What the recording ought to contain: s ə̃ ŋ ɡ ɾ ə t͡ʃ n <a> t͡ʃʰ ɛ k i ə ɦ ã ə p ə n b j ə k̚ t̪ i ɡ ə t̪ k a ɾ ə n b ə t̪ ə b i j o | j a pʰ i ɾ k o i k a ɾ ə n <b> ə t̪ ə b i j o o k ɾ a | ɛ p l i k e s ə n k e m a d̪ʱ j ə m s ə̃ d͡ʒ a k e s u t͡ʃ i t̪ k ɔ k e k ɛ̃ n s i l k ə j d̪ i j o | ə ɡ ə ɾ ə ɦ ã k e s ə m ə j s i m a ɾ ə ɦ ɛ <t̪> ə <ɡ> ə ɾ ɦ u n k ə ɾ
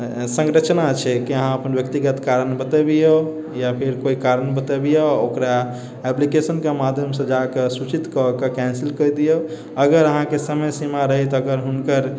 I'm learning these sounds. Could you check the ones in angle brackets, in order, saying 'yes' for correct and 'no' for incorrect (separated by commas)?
yes, yes, yes, yes